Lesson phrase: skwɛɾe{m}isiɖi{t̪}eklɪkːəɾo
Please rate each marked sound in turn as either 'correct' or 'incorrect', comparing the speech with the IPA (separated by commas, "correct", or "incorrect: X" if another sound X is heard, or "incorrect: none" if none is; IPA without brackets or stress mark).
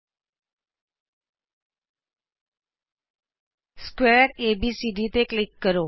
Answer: incorrect: b, correct